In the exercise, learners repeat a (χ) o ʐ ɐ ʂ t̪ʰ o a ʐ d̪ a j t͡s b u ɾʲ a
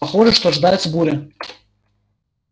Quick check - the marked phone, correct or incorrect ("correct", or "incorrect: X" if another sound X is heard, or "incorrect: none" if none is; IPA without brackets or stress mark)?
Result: correct